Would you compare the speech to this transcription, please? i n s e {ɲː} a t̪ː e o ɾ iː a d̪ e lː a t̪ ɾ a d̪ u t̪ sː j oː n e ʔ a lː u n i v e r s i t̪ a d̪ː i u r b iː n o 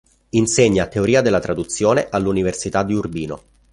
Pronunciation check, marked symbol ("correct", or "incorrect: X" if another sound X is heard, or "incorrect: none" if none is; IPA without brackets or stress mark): correct